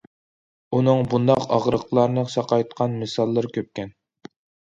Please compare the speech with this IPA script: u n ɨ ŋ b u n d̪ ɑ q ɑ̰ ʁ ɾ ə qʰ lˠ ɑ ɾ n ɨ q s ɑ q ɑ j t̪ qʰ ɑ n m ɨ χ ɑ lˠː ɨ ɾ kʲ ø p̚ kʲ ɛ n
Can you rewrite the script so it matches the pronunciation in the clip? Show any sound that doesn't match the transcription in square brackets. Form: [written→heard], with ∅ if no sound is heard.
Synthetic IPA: u n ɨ ŋ b u n d̪ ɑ q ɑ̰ ʁ ɾ ə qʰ lˠ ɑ ɾ n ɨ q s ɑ q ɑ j t̪ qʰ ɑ n m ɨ [χ→s] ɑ lˠː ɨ ɾ kʲ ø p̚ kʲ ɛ n

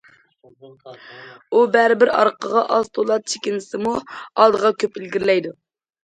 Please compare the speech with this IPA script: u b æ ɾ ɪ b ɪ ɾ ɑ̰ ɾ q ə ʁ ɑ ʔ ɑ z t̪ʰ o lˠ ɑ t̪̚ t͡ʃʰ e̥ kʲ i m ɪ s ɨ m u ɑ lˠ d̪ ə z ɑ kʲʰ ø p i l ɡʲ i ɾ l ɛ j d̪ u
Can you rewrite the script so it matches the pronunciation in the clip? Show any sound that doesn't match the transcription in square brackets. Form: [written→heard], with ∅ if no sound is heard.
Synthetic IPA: u b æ ɾ ɪ b ɪ ɾ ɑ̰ ɾ q ə ʁ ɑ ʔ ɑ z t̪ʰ o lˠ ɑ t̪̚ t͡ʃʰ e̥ kʲ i [m→n] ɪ s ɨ m u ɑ lˠ d̪ ə [z→ʁ] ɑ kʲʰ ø p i l ɡʲ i ɾ l ɛ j d̪ u

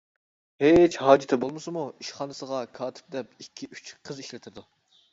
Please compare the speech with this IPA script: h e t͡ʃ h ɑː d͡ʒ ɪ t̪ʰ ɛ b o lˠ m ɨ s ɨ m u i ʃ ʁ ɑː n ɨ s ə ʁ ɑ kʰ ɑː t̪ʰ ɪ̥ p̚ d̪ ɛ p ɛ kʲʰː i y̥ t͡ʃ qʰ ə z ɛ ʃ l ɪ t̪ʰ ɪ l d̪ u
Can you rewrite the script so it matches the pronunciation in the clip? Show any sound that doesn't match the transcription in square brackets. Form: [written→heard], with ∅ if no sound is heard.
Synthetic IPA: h e t͡ʃ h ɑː d͡ʒ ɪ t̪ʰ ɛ b o lˠ m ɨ s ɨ m u i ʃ [ʁ→χ] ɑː n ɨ s ə ʁ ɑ kʰ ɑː t̪ʰ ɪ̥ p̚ d̪ ɛ p [ɛ→i] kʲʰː i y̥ t͡ʃ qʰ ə z [ɛ→i] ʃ l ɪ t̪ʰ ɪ [l→ɾ] d̪ u

